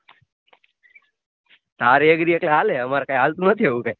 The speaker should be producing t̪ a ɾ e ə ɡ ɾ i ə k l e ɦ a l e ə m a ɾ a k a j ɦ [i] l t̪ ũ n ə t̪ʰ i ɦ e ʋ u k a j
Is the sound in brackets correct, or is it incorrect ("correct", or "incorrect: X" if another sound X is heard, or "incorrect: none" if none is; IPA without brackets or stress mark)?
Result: incorrect: a